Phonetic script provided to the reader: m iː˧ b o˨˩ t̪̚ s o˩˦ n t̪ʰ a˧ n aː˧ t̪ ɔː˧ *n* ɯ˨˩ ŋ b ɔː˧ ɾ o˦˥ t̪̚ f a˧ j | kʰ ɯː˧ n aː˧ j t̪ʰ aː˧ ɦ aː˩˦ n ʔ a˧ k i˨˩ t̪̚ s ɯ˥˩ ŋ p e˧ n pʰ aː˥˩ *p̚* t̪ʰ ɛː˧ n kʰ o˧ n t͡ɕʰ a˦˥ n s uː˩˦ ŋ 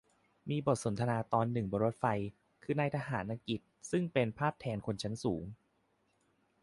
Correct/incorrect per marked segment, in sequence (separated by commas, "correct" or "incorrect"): incorrect, correct